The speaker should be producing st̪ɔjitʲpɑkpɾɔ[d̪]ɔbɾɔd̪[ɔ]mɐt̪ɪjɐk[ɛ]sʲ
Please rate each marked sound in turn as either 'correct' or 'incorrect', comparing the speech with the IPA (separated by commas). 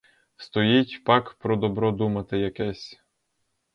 correct, incorrect, correct